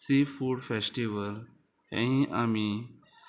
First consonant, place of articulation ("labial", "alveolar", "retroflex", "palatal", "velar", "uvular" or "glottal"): alveolar